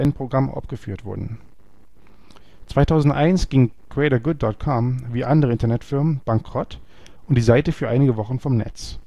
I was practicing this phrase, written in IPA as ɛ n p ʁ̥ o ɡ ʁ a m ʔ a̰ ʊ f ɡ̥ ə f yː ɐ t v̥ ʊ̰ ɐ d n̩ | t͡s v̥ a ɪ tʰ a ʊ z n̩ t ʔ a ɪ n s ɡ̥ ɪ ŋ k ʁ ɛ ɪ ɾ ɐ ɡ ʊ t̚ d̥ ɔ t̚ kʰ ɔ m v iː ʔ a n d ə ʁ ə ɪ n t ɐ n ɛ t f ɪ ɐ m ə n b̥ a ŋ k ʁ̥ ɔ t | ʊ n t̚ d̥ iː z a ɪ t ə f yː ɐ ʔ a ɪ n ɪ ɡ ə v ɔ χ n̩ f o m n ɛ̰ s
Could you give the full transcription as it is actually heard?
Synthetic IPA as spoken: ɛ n p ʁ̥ o ɡ ʁ a m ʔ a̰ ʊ f ɡ̥ ə f yː ɐ t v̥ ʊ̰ ɐ d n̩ | t͡s v̥ a ɪ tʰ a ʊ z n̩ t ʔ a ɪ n s ɡ̥ ɪ ŋ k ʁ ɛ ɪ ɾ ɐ ɡ ʊ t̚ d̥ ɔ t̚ kʰ ɔ m v iː ʔ a n d ə ʁ ə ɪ n t ɐ n ɛ t f ɪ ɐ m ə n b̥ a ŋ k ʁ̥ ɔ t | ʊ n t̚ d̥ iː z a ɪ t ə f yː ɐ ʔ a ɪ n ɪ ɡ ə v ɔ χ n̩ f ɔ m n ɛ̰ t͡s